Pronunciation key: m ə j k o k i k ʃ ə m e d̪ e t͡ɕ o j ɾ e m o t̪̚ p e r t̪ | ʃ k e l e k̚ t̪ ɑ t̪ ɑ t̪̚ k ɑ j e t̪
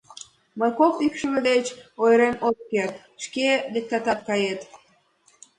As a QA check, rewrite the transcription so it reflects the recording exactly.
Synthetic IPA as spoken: m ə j k o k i k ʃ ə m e d̪ e t͡ɕ o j ɾ e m o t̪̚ k e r t̪ | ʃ k e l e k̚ t̪ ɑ t̪ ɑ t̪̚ k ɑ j e t̪